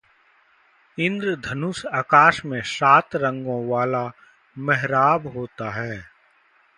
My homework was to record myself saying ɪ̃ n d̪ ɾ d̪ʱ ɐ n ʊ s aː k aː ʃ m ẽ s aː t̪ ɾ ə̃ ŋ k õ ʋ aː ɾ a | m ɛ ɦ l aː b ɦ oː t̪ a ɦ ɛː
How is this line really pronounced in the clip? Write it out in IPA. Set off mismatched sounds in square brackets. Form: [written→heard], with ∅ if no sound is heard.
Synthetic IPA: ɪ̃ n d̪ ɾ d̪ʱ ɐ n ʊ s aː k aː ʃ m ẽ s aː t̪ ɾ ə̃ ŋ [k→ɡ] õ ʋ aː [ɾ→l] a | m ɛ ɦ [l→ɾ] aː b ɦ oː t̪ a ɦ ɛː